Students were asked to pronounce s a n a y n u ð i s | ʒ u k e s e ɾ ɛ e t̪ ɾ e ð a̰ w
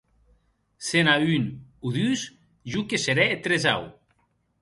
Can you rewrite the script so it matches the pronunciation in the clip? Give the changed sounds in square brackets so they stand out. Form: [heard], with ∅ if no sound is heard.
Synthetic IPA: s [e] n a y n u ð [y] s | ʒ u k e s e ɾ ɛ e t̪ ɾ e [z] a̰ w